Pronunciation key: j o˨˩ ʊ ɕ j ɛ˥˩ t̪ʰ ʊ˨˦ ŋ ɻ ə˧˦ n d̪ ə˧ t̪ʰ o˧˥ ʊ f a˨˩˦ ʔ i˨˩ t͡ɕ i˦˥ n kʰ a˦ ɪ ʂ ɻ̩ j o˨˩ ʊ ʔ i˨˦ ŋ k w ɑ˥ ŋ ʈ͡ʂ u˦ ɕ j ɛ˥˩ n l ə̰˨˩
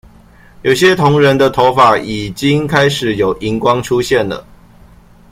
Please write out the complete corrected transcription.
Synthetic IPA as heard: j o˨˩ ʊ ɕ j ɛ˦ t̪ʰ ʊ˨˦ ŋ ɻ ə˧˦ n d̪ ə˧ t̪ʰ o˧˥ ʊ f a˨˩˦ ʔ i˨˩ t͡ɕ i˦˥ ŋ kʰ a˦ ɪ ʂ ɻ̩ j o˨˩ ʊ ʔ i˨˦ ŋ k w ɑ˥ ŋ ʈ͡ʂʰ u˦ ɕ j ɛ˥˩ n l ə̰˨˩